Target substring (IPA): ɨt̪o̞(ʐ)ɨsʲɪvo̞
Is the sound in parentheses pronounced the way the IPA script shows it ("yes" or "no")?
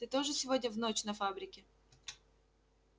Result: yes